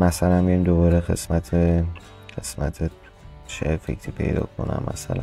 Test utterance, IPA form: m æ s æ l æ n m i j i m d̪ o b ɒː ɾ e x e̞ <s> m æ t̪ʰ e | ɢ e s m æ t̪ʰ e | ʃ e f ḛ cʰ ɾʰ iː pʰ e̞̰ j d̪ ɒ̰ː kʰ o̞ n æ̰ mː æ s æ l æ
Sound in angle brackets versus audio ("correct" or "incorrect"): correct